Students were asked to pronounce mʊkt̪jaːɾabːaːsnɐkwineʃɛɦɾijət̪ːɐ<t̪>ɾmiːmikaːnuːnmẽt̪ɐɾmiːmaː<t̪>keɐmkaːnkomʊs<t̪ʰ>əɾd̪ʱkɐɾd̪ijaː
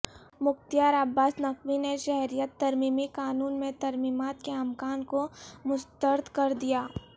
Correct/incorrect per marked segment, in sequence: incorrect, correct, incorrect

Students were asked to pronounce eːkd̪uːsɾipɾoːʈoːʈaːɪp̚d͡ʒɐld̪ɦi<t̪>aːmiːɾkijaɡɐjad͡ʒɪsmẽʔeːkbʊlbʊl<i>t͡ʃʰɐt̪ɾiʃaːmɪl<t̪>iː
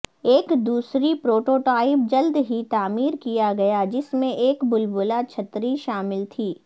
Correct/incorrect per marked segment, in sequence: correct, incorrect, incorrect

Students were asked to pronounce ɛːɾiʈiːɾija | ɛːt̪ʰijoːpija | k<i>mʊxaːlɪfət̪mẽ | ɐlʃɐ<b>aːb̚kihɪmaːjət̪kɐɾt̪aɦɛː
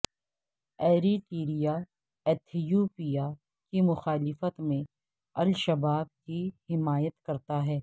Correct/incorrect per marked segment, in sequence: correct, correct

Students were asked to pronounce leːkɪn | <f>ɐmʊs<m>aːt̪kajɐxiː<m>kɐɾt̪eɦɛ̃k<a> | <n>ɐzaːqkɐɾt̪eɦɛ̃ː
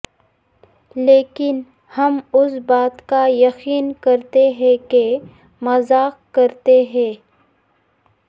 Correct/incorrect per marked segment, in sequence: incorrect, incorrect, incorrect, incorrect, incorrect

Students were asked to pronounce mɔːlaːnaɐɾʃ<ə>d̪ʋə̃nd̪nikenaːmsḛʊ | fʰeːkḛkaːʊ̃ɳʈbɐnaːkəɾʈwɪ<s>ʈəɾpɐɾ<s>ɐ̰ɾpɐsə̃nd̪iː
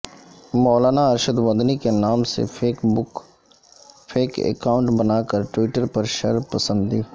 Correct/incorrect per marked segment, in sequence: correct, incorrect, incorrect

